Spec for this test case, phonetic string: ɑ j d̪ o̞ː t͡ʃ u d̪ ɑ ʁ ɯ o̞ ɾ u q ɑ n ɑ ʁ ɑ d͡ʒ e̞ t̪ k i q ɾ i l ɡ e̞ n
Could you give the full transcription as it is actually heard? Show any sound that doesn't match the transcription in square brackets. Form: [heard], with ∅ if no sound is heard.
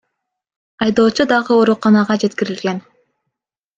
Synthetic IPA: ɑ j d̪ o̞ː t͡ʃ u d̪ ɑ ʁ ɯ o̞ ɾ u q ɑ n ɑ ʁ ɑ d͡ʒ e̞ t̪ k i [∅] ɾ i l ɡ e̞ n